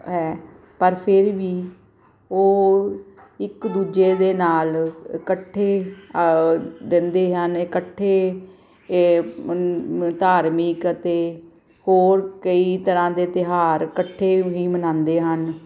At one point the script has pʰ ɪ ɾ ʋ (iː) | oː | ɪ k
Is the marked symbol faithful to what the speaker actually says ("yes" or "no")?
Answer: yes